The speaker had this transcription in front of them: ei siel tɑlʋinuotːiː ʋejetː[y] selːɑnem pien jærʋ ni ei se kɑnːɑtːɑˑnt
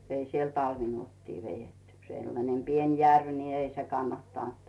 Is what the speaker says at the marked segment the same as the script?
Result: yes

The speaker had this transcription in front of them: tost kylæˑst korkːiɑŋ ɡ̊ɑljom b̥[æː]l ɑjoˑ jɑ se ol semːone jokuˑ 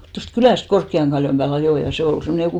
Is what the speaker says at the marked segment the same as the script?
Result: yes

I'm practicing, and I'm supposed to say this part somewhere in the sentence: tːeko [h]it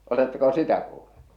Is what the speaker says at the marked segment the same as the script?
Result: no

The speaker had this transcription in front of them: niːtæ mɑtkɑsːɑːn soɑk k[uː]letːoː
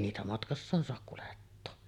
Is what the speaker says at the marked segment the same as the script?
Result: no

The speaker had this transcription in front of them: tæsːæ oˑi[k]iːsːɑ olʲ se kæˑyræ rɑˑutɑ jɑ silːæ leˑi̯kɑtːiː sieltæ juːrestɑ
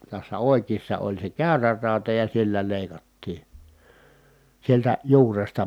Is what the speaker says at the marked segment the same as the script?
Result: yes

